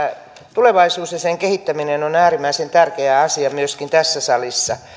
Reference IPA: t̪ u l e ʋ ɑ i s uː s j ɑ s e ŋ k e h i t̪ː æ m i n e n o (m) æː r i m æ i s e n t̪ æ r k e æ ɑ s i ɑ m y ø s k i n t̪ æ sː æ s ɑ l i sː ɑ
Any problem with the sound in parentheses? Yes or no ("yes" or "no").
yes